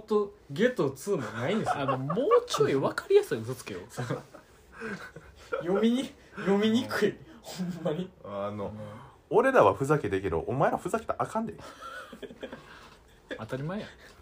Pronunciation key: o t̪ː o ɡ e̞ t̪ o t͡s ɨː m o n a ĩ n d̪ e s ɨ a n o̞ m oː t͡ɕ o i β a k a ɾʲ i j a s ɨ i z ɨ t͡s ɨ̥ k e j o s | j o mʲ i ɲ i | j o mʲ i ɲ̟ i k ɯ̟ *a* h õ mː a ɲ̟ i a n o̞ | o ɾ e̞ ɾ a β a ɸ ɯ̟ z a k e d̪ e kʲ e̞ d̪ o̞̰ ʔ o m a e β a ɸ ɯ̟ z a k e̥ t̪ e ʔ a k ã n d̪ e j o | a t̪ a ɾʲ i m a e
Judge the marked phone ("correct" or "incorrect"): incorrect